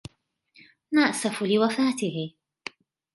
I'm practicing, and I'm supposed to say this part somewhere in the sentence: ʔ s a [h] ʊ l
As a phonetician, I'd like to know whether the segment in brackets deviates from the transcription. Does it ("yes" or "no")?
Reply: yes